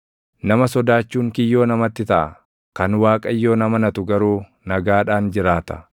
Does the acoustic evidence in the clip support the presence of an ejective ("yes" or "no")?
yes